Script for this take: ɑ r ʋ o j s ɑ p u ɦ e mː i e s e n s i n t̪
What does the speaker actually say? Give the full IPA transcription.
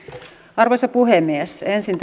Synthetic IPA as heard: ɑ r ʋ o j s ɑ p u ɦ e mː i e s e n s i n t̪

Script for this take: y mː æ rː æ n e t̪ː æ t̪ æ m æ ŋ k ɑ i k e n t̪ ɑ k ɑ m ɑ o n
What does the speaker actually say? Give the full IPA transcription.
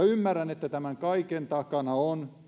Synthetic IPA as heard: y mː æ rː æ n e t̪ː æ t̪ æ m æ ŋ k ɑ i k e n t̪ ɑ k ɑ n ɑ o n

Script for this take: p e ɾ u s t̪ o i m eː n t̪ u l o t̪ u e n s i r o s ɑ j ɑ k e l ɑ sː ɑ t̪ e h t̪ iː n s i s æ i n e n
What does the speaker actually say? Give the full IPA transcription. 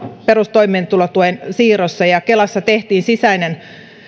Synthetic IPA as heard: p e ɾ u s t̪ o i m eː n t̪ u l o t̪ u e n s iː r o sː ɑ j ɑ k e l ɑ sː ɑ t̪ e h t̪ iː n s i s æ i n e n

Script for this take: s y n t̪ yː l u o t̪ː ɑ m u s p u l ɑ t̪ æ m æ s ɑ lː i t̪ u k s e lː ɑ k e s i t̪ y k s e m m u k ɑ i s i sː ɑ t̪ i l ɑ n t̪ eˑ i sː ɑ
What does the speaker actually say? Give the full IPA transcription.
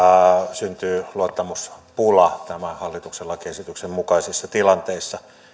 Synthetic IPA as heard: s y n t̪ yː l u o t̪ː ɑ m u s p u l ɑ t̪ æ m æ h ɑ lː i t̪ u k s e lː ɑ k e s i t̪ y k s e m m u k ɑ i s i sː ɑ t̪ i l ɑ n t̪ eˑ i sː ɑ

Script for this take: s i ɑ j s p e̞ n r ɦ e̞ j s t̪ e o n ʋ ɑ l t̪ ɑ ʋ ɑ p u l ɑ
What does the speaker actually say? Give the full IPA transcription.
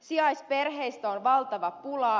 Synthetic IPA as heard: s i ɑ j s p e̞ r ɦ e̞ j s t̪ æ o n ʋ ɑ l t̪ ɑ ʋ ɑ p u l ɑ

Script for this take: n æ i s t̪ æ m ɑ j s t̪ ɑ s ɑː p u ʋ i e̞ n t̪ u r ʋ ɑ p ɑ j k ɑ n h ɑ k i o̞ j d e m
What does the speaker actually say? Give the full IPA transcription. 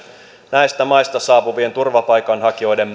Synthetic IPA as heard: n æ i s t̪ æ m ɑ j s t̪ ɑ s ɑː p u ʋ i e̞ n t̪ u r ʋ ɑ p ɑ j k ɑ n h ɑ k i o̞ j d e m

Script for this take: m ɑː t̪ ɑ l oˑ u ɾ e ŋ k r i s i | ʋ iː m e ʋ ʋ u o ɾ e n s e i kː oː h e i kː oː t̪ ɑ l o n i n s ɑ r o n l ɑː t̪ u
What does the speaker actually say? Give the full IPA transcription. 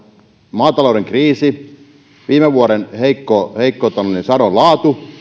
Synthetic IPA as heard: m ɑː t̪ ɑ l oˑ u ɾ e ŋ k r iː s i | ʋ iː m e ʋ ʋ u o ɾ e n h e i kː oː h e i kː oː t̪ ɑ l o n i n s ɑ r o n l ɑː t̪ u

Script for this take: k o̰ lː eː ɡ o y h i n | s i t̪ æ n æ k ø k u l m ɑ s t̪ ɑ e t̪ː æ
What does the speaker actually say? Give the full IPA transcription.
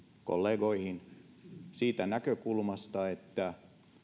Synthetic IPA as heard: k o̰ lː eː ɡ o i h i n | s iː t̪ æ n æ k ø k u l m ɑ s t̪ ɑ e t̪ː æ

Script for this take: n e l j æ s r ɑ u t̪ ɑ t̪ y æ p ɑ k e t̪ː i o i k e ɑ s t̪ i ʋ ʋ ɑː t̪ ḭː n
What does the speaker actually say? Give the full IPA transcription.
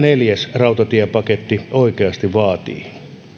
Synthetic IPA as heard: n e l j æ s r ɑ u t̪ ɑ t̪ i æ p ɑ k e t̪ː i o i k e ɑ s t̪ i ʋ ʋ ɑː t̪ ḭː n

